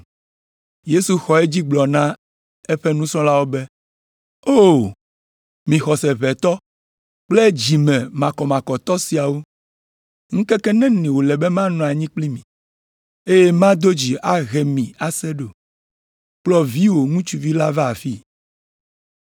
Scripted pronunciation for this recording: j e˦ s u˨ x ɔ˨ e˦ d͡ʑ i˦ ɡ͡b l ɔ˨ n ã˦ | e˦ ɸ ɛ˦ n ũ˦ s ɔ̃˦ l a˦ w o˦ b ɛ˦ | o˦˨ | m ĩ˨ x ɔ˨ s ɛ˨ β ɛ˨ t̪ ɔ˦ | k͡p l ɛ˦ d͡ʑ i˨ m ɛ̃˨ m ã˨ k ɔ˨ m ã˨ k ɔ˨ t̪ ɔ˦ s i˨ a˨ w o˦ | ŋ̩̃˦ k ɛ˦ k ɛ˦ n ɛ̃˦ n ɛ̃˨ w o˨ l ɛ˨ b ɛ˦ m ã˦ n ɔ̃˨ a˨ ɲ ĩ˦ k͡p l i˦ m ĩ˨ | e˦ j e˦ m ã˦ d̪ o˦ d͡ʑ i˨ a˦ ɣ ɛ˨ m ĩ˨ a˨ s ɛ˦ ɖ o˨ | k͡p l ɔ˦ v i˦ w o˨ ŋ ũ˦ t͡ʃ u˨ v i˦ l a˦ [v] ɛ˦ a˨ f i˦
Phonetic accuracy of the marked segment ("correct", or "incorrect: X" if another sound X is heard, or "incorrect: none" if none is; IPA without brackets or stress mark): correct